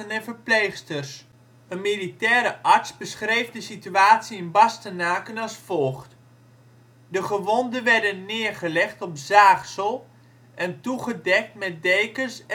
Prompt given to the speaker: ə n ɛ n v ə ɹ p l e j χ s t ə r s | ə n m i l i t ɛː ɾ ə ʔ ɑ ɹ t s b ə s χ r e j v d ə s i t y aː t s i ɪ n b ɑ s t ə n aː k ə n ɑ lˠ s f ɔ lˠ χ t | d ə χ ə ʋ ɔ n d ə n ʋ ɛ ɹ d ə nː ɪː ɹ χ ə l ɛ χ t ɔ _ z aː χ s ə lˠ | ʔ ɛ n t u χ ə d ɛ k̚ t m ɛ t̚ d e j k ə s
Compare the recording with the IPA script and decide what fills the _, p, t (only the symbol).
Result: p